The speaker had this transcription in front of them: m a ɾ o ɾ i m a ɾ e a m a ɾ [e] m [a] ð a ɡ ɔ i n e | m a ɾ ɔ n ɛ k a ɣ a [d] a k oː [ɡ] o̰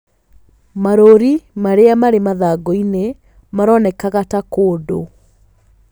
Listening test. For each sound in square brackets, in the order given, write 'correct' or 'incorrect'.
correct, correct, incorrect: t, incorrect: d

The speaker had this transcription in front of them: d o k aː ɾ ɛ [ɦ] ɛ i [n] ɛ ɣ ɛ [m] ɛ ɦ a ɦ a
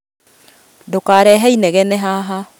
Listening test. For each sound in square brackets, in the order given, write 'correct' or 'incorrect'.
correct, correct, incorrect: n

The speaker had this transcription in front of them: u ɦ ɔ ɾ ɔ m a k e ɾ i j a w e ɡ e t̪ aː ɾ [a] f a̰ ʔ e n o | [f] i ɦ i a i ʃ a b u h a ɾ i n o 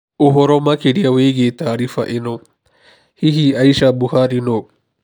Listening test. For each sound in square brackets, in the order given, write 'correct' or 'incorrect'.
incorrect: i, incorrect: h

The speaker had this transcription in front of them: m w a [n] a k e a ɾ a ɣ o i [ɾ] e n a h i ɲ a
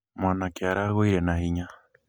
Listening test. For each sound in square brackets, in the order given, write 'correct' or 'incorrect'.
correct, correct

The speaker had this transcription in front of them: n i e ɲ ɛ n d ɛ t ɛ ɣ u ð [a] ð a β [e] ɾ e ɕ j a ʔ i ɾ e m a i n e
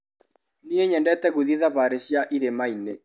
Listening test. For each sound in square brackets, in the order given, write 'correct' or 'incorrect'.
incorrect: i, incorrect: a

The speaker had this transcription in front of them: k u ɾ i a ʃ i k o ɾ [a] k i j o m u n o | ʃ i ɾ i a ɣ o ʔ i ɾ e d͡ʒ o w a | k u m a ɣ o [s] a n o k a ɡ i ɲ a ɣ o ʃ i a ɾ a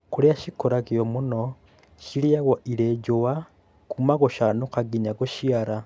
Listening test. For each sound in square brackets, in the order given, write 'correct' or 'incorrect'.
correct, incorrect: ʃ

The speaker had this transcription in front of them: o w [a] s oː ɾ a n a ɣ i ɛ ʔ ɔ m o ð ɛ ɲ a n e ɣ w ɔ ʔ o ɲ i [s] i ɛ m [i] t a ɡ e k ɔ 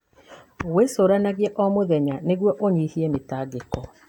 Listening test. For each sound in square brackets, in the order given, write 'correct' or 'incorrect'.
incorrect: e, incorrect: h, incorrect: e

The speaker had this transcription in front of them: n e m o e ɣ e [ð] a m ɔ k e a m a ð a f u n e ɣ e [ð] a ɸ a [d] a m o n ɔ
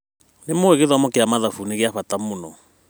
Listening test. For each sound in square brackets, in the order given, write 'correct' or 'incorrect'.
correct, incorrect: none, incorrect: t

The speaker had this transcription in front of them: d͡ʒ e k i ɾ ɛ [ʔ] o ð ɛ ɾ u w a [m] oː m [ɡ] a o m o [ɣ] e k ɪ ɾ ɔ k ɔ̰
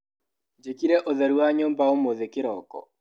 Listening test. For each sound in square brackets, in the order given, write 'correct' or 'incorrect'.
correct, incorrect: ɲ, incorrect: b, incorrect: ð

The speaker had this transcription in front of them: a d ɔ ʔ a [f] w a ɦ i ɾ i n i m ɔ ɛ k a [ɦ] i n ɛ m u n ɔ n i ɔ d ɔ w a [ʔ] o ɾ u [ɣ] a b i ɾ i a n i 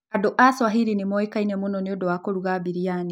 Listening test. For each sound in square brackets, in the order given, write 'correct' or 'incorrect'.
incorrect: s, incorrect: none, incorrect: k, correct

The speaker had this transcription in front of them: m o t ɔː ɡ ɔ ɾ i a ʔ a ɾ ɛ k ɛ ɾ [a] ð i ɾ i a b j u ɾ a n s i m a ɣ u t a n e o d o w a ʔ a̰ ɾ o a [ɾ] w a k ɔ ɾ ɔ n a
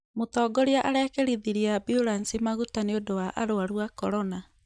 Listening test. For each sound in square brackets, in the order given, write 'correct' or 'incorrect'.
incorrect: i, correct

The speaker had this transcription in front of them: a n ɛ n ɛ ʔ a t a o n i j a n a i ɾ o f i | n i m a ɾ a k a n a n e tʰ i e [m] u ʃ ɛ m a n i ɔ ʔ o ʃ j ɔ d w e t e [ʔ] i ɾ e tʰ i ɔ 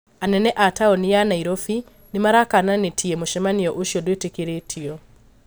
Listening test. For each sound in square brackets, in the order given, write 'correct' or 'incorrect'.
correct, incorrect: k

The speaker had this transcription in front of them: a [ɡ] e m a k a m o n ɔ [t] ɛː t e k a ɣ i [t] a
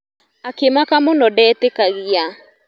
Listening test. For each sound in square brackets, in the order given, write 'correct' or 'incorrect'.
incorrect: k, incorrect: d, incorrect: none

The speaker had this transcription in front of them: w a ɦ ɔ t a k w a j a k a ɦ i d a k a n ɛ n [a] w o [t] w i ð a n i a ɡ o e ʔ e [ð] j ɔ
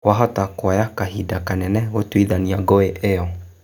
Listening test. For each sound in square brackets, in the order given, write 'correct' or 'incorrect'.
incorrect: ɛ, correct, incorrect: none

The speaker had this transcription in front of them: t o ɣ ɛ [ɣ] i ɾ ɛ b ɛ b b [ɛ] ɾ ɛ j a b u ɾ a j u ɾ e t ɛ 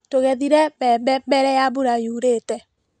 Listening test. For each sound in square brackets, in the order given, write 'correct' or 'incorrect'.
incorrect: ð, correct

